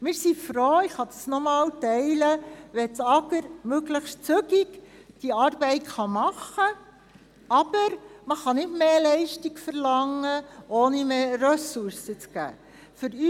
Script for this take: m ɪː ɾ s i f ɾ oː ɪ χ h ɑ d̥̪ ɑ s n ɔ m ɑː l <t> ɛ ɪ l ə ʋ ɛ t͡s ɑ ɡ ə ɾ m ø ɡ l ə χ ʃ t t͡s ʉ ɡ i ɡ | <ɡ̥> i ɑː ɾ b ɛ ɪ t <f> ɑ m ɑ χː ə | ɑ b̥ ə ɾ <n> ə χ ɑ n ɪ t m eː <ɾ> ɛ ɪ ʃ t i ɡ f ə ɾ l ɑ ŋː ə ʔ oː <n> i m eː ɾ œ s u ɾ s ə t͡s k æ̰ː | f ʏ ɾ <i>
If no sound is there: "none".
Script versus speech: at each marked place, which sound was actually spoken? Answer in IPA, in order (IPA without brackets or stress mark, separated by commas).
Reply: t, d̥, χ, m, l, n, y